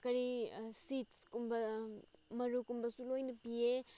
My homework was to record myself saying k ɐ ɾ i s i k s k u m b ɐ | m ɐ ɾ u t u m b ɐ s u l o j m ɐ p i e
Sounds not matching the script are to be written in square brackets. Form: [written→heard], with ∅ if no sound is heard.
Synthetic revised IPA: k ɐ ɾ i s i [k→t] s k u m b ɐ | m ɐ ɾ u [t→k] u m b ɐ s u l o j [m→n] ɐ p i e